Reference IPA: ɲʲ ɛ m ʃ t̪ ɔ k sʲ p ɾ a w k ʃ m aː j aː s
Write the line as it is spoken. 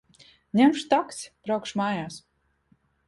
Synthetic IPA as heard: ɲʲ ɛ m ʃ t̪ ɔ k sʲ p ɾ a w k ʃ m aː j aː s

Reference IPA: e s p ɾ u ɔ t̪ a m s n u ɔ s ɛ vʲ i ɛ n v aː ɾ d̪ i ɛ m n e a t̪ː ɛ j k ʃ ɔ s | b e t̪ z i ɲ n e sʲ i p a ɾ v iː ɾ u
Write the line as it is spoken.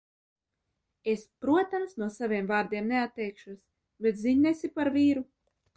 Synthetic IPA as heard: e s p ɾ u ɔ t̪ a m s n u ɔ s a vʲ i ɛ m v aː ɾ d̪ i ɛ m n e a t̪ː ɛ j k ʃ u s | b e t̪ z i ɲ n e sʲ i p a ɾ v iː ɾ u

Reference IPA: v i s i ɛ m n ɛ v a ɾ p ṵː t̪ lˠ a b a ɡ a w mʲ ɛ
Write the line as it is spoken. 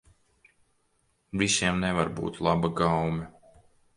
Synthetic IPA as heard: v i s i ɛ m n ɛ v a ɾ b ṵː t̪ lˠ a b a ɡ a w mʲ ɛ

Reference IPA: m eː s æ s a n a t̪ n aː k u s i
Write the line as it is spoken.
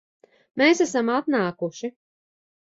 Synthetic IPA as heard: m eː s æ s a m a t̪ n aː k u ʃ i

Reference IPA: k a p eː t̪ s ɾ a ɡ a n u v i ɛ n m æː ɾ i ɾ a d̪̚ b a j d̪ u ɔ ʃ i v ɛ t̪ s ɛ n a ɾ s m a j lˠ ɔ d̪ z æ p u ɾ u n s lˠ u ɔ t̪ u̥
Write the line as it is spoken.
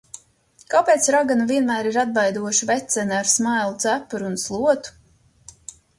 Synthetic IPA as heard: k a p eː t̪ s ɾ a ɡ a n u v i ɛ n m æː ɾ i ɾ a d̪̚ b a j d̪ u ɔ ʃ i v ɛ t̪ s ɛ n a ɾ s m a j lˠ u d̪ z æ p u ɾ u n s lˠ u ɔ t̪ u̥

